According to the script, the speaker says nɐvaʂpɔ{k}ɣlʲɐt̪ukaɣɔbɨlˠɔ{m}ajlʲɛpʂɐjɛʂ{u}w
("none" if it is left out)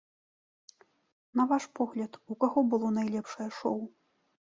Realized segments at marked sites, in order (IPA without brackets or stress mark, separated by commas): none, n, ɔ